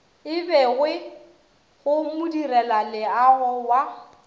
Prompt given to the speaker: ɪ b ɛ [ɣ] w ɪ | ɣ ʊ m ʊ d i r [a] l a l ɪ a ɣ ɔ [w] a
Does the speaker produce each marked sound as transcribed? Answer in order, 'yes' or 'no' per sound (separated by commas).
yes, no, yes